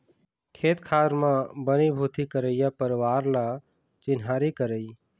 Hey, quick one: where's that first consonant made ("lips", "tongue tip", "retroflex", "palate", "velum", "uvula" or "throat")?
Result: velum